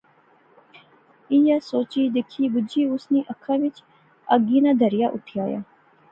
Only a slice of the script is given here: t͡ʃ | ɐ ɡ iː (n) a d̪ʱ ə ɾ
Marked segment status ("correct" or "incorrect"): correct